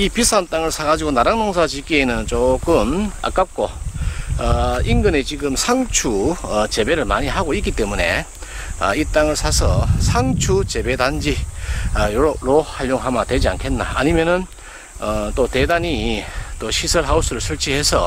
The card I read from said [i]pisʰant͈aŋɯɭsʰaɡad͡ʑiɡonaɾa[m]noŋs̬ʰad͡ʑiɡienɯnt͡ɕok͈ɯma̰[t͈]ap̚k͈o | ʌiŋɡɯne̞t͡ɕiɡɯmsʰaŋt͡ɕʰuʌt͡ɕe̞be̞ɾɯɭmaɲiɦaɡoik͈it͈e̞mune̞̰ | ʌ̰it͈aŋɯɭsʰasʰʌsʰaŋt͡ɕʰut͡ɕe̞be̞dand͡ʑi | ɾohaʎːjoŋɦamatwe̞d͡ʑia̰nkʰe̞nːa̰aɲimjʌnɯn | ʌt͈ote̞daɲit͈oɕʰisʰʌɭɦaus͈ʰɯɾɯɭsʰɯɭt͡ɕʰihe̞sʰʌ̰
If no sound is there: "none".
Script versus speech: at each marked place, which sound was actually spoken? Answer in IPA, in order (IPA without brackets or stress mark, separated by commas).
i, ŋ, k͈